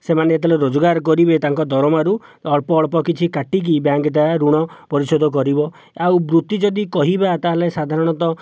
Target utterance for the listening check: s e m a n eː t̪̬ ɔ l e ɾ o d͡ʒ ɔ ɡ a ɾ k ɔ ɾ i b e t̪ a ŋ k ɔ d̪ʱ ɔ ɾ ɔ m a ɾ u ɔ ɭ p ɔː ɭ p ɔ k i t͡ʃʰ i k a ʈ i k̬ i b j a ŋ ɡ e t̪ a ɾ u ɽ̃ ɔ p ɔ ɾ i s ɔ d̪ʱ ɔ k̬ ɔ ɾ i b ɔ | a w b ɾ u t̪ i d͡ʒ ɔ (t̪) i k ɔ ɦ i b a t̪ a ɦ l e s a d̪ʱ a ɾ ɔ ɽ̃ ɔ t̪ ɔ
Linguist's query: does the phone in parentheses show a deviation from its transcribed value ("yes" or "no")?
yes